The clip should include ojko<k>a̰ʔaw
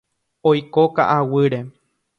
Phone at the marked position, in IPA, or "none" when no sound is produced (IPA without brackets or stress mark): k